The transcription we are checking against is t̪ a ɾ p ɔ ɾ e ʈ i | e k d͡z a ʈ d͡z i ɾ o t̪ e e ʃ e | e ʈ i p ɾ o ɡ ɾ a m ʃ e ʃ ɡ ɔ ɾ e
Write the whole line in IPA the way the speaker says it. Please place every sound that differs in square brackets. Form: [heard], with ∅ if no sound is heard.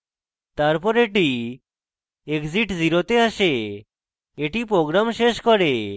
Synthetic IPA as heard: t̪ a ɾ p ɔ ɾ e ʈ i | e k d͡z [i] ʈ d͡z i ɾ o t̪ e [a] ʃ e | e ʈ i p ɾ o ɡ ɾ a m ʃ e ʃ [k] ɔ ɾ e